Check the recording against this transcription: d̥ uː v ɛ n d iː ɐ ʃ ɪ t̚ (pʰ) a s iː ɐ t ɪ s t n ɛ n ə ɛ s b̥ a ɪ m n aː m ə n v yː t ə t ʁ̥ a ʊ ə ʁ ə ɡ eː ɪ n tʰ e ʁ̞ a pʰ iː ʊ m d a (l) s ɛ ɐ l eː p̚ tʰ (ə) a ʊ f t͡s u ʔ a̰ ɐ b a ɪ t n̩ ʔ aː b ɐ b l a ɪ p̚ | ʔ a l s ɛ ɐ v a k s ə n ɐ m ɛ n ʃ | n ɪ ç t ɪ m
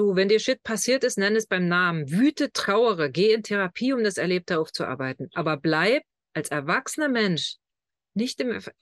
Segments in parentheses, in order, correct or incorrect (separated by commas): correct, incorrect, correct